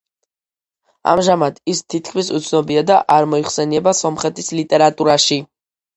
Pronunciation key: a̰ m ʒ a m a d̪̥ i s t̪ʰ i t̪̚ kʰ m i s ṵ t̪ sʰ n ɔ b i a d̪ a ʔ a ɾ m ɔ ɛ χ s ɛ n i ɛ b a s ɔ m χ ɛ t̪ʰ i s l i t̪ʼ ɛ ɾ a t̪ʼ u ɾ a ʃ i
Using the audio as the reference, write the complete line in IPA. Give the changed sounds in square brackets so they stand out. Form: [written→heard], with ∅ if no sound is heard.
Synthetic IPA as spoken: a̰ m ʒ a m a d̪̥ i s t̪ʰ i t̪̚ kʰ m i s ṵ t̪ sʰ n ɔ b i a d̪ a ʔ a ɾ m ɔ [ɛ→i] χ s ɛ n i ɛ b a s ɔ m χ ɛ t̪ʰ i s l i t̪ʼ ɛ ɾ a t̪ʼ u ɾ a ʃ i